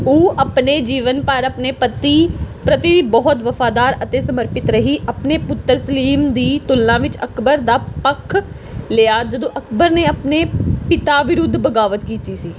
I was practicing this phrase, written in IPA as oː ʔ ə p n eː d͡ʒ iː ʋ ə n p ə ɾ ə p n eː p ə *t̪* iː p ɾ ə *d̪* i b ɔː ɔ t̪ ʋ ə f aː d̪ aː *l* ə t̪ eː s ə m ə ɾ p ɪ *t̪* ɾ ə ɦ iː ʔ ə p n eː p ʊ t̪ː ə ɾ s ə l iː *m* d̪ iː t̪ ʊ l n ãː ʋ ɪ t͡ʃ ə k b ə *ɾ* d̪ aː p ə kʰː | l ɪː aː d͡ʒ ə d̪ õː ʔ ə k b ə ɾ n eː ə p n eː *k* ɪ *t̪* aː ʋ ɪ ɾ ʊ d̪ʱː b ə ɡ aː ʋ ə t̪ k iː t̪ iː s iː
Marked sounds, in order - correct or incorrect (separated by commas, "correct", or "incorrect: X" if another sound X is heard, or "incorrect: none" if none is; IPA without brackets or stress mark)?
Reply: correct, incorrect: t̪, incorrect: ɾ, correct, correct, correct, incorrect: p, correct